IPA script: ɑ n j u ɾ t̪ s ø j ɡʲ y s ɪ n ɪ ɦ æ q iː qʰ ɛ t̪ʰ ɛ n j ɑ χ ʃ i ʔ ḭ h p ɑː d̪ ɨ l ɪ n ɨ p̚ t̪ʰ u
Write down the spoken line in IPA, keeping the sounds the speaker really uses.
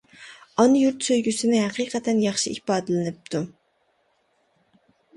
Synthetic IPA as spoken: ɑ n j u ɾ t̪ s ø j ɡʲ y s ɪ n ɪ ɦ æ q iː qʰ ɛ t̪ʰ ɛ n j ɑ χ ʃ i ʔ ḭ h p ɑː d̪ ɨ l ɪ n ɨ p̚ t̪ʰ u

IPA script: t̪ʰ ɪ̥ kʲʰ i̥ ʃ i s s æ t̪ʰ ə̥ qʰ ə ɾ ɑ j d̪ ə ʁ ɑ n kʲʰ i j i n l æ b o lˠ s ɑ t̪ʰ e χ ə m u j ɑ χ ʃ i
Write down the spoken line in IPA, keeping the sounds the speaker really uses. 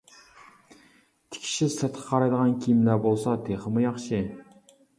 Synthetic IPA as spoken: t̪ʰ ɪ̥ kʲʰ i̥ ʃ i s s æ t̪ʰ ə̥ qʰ ɑ ɾ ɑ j d̪ ə ʁ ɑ n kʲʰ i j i m l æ b o lˠ s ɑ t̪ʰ e χ ə m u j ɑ χ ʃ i

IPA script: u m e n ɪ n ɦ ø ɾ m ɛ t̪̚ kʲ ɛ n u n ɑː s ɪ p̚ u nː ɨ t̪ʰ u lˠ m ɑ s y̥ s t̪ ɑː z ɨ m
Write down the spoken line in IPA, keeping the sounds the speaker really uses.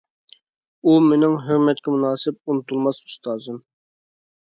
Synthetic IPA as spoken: u m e n ɪ ŋ ɦ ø ɾ m ɛ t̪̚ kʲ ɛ m u n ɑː s ɪ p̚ u n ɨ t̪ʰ u lˠ m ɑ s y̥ s t̪ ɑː z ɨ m

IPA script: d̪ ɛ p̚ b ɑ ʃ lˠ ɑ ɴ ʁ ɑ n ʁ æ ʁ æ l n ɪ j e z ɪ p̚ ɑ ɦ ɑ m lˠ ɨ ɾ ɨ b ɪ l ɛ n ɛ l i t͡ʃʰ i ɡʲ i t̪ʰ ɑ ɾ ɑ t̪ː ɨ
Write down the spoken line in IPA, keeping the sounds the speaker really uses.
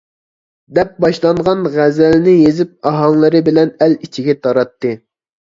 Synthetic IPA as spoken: d̪ ɛ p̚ b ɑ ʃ lˠ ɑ ɴ ʁ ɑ n ʁ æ z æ l n ɪ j e z ɪ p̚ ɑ ɦ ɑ ŋ lˠ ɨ ɾ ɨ b ɪ l ɛ n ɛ l i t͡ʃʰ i ɡʲ ɛ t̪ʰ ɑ ɾ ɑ t̪ː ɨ

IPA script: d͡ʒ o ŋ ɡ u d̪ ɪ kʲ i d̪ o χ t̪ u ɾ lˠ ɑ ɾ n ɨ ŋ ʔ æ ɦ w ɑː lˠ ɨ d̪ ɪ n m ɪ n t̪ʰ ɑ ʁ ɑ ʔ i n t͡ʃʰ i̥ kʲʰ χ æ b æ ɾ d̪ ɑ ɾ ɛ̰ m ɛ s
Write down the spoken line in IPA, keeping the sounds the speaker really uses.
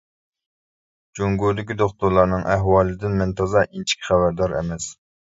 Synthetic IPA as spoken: d͡ʒ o ŋ ɡ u d̪ ɪ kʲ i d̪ o χ t̪ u ɾ lˠ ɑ ɾ n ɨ ŋ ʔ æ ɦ w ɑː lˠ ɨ d̪ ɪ n m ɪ n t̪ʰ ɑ z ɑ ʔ i n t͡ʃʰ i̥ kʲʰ χ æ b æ ɾ d̪ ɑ ɾ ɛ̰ m ɛ s

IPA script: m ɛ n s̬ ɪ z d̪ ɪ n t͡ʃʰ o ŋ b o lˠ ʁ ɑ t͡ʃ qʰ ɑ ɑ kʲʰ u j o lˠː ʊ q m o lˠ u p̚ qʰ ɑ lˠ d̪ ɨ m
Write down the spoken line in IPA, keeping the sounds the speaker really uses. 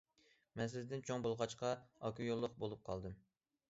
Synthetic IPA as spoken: m ɛ n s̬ ɪ z d̪ ɪ n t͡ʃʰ o ŋ b o lˠ ʁ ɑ t͡ʃ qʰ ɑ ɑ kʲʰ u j o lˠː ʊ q b o lˠ u p̚ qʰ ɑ lˠ d̪ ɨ m

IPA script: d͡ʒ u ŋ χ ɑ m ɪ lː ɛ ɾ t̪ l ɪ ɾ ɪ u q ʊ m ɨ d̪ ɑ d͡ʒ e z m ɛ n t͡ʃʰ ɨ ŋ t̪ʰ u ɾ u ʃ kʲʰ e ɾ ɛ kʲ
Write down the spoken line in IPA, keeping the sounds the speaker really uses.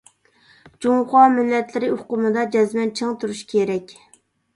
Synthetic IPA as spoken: d͡ʒ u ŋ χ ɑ m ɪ lː ɛ t̪ l ɪ ɾ ɪ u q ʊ m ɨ d̪ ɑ d͡ʒ ɛ z m ɛ n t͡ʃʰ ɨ ŋ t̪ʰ u ɾ u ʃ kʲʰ e ɾ ɛ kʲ

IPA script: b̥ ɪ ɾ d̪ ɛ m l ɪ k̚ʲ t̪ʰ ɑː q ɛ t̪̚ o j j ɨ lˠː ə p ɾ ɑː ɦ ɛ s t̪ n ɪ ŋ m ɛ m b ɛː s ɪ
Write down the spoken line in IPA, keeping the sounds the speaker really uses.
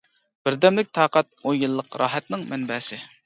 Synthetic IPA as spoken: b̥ ɪ ɾ d̪ ɛ m l ɪ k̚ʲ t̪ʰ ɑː q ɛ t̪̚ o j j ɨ lˠː ə q ɾ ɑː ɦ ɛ t̪ n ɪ ŋ m ɛ n b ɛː s ɪ

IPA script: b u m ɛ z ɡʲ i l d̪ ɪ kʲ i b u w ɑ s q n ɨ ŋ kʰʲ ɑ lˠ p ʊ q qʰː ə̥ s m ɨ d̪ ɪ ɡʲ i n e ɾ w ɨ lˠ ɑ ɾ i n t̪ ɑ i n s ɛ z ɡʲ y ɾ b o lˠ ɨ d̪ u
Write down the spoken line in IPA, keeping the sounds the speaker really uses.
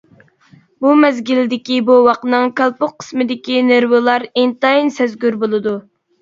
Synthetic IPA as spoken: b u m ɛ z ɡʲ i l d̪ ɪ kʲ i b u w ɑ q n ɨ ŋ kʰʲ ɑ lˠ p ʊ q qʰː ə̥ s m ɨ d̪ ɪ kʲ i n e ɾ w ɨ lˠ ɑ ɾ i n t̪ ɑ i n s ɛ z ɡʲ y ɾ b o lˠ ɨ d̪ u

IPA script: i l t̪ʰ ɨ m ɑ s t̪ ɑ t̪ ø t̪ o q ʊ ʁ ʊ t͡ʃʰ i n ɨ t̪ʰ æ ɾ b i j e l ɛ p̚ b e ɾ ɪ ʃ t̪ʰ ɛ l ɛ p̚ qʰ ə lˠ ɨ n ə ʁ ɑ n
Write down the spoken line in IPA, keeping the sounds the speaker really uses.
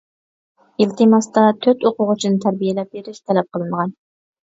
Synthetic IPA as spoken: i l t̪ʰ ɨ m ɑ s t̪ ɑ t̪ʰ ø t̪ o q ʊ ʁ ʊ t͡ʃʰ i n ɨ t̪ʰ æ ɾ b i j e l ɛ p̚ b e ɾ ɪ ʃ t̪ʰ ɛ l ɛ p̚ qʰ ə lˠ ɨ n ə ʁ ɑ n

